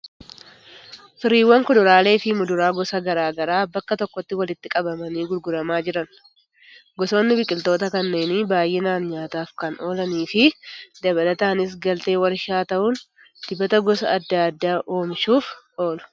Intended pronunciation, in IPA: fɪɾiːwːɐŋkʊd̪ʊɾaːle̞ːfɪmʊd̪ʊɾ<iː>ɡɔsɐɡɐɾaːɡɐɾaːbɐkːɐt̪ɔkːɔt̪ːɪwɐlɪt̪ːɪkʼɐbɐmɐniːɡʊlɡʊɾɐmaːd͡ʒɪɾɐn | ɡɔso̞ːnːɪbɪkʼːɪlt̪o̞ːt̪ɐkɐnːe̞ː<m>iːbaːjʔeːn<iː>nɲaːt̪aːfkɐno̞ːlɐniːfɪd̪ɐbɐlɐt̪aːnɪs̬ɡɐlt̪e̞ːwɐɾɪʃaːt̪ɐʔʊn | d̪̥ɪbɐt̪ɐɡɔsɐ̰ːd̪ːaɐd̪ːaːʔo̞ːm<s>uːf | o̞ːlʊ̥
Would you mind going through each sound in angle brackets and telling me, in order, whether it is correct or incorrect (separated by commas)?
incorrect, incorrect, incorrect, incorrect